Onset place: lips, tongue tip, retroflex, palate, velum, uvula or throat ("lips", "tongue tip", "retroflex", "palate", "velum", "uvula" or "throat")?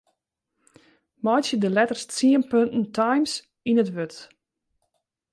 lips